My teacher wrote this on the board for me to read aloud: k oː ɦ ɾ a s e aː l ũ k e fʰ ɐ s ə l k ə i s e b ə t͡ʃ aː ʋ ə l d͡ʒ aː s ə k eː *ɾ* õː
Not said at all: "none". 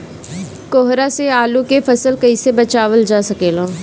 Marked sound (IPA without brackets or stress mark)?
l